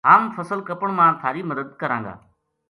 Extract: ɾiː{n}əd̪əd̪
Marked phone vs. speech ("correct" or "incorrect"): incorrect